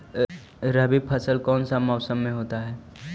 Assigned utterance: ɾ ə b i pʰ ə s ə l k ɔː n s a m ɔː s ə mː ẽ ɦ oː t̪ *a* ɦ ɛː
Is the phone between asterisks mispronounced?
no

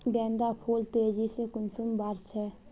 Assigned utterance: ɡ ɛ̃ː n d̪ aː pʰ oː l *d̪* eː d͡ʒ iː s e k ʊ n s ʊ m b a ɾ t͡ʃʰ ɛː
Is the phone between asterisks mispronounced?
yes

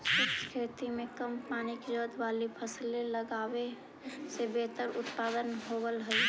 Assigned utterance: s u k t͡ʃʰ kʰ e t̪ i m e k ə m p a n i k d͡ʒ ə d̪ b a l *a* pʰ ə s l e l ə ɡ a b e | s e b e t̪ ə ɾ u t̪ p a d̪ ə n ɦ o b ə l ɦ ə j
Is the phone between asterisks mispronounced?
yes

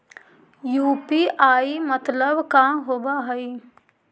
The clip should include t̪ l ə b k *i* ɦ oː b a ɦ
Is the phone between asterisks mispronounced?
yes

